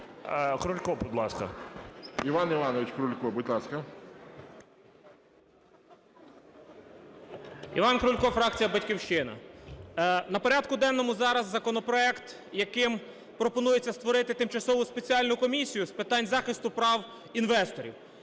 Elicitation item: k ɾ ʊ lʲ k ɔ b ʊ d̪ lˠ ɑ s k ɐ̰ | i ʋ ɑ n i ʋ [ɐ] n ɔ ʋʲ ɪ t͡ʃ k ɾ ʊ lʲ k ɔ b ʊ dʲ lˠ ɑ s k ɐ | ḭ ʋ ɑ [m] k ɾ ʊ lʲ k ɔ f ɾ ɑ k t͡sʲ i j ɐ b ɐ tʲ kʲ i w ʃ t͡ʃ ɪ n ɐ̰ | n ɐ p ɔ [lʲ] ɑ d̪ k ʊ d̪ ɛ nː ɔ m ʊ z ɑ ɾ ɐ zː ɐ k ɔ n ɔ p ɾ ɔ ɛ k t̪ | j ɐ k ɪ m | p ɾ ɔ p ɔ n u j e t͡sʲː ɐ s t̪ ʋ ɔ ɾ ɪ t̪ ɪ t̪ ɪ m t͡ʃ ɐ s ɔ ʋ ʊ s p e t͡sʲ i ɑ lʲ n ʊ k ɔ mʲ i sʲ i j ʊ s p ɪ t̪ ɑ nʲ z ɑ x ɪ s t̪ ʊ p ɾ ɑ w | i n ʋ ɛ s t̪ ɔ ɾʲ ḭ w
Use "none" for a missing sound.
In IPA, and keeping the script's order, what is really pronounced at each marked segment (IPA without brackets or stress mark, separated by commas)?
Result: ɑ, n, ɾʲ